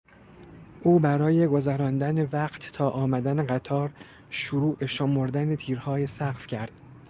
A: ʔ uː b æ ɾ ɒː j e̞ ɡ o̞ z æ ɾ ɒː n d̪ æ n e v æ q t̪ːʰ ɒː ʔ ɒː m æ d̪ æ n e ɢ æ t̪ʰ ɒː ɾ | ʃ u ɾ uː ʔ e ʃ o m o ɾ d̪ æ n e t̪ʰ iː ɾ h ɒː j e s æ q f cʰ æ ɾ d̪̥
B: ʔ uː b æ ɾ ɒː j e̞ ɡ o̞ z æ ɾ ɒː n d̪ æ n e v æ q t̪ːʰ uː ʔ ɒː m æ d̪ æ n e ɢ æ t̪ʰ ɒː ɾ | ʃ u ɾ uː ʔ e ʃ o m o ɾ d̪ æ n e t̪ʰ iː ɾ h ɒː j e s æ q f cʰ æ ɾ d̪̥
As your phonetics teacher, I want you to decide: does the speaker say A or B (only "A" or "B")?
A